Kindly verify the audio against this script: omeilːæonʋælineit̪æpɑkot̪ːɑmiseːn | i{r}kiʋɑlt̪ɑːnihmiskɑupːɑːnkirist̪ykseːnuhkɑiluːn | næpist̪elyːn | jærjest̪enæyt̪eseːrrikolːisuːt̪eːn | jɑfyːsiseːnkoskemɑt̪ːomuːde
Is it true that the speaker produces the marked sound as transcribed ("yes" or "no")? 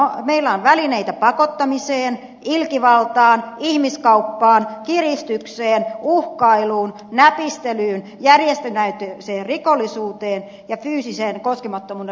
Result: no